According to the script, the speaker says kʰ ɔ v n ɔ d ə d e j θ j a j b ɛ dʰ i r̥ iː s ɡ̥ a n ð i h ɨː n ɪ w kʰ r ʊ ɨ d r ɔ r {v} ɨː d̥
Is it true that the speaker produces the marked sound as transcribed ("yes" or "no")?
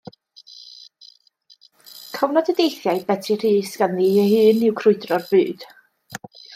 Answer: no